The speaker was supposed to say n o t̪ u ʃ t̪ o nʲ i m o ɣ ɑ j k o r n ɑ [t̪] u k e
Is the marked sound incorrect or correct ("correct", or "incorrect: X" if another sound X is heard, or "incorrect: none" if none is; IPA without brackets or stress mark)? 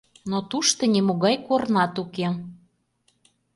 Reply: correct